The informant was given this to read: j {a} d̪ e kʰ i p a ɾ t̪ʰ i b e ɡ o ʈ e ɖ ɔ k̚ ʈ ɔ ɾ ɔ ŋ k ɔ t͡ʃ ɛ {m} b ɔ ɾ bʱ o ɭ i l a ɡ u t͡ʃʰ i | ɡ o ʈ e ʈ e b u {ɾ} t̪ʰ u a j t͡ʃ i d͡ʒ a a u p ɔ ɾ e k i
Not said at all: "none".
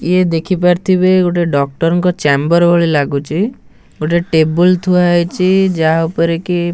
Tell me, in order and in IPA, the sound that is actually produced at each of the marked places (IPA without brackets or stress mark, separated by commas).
e, m, l